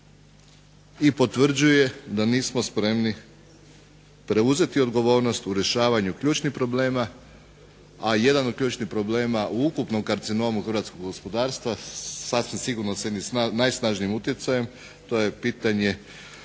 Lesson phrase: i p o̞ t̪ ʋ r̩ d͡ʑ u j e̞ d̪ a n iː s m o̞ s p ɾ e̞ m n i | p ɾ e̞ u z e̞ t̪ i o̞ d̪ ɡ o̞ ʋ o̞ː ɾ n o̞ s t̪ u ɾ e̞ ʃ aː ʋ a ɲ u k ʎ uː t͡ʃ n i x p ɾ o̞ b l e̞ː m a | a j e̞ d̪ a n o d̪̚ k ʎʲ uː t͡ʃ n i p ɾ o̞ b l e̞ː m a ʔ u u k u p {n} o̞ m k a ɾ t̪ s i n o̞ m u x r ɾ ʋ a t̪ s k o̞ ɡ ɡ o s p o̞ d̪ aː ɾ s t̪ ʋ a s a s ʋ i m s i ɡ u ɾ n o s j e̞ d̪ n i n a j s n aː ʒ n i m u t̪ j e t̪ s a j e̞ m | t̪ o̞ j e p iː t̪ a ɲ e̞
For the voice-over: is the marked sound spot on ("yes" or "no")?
yes